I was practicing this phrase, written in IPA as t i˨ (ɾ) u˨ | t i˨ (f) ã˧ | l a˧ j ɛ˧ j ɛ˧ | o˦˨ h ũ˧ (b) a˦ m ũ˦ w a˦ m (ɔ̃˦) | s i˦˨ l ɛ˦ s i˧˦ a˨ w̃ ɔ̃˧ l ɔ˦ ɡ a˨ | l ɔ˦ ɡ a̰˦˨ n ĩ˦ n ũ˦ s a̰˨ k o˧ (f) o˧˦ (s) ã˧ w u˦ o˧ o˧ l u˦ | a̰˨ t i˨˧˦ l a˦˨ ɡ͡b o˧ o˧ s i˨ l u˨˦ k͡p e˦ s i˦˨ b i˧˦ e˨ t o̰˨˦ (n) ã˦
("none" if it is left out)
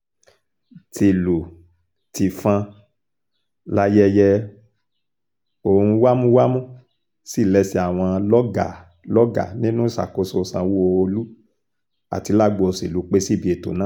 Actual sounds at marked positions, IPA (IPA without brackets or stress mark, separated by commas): l, f, w, ũ˦, s, s, n